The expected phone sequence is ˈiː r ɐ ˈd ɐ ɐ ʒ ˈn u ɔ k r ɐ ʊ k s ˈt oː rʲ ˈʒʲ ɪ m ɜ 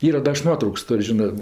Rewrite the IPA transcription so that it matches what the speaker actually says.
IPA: ˈiː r ɐ ˈd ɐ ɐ ʃ ˈn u ɔ t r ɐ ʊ k s ˈt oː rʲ ˈʒʲ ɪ n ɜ